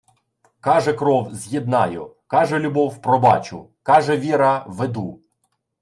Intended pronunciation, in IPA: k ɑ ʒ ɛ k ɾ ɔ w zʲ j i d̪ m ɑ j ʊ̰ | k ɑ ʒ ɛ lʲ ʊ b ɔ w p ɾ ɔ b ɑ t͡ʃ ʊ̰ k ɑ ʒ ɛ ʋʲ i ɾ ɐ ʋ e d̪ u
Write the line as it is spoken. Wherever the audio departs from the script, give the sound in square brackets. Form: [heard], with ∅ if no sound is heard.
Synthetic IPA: k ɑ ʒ ɛ k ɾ ɔ w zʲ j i d̪ [n] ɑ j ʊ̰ | k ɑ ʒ ɛ lʲ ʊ b ɔ w p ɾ ɔ b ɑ t͡ʃ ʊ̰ k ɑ ʒ ɛ ʋʲ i ɾ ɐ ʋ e d̪ u